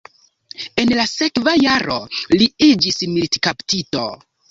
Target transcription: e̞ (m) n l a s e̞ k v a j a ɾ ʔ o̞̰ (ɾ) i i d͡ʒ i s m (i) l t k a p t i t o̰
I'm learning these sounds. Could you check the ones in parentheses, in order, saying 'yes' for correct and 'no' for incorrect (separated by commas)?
no, no, yes